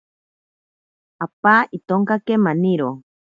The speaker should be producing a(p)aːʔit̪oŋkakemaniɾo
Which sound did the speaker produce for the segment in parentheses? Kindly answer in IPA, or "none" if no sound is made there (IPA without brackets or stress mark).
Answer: p